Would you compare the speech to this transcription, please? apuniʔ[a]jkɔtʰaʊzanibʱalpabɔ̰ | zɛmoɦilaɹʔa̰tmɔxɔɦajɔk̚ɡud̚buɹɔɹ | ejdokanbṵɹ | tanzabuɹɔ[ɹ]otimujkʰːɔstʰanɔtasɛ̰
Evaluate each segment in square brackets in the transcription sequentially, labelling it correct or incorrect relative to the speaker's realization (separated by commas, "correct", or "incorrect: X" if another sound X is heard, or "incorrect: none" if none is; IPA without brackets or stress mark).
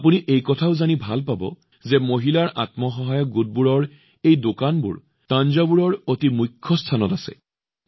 incorrect: e, correct